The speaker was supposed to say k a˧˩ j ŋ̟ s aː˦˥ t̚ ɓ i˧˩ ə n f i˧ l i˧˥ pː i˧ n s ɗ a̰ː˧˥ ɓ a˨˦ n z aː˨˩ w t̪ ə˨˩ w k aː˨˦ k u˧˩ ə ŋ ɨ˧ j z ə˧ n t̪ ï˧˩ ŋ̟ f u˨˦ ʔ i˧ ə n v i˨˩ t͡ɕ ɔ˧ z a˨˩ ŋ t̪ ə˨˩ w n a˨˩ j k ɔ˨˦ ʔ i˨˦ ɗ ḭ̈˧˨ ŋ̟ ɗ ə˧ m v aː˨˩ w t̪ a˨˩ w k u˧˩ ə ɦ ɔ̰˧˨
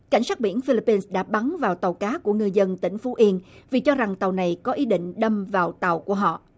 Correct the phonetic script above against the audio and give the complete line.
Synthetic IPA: k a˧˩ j ŋ̟ s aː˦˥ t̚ ɓ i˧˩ ə n f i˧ l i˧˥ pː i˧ n s ɗ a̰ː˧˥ ɓ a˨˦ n v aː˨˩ w t̪ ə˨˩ w k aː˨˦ k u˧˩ ə ŋ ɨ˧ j z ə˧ n t̪ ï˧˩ ŋ̟ f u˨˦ ʔ i˧ ə n v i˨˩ t͡ɕ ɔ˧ z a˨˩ ŋ t̪ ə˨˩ w n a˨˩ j k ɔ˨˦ ʔ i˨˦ ɗ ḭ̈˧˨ ŋ̟ ɗ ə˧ m v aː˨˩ w t̪ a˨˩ w k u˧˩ ə ɦ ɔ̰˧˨